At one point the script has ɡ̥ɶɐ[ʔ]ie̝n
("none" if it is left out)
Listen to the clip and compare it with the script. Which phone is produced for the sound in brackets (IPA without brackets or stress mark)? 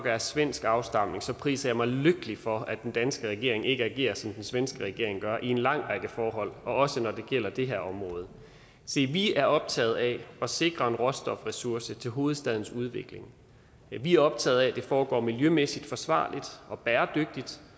ʔ